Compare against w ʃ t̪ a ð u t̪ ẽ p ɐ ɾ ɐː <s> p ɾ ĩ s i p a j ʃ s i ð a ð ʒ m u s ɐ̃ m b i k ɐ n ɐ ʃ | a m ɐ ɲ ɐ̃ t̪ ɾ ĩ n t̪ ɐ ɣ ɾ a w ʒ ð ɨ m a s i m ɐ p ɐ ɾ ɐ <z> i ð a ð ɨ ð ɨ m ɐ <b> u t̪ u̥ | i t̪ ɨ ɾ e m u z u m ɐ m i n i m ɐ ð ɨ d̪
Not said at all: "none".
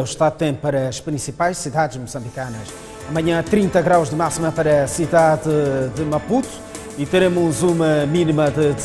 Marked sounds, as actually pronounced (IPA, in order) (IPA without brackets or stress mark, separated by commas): ʃ, s, p